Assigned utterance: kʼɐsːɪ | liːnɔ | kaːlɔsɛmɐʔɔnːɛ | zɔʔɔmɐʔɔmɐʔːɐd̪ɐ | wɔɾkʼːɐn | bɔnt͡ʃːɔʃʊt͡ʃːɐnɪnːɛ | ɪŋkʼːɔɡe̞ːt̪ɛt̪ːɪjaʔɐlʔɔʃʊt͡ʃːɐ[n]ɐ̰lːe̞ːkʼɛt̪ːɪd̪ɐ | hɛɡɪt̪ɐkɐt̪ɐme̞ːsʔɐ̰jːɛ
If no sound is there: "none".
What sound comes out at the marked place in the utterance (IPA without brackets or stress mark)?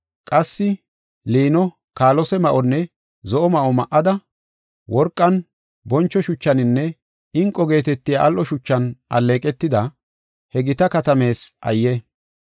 n